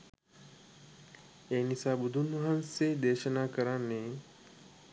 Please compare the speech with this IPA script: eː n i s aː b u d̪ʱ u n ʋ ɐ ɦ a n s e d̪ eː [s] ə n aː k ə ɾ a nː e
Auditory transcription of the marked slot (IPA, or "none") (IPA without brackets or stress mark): ʃ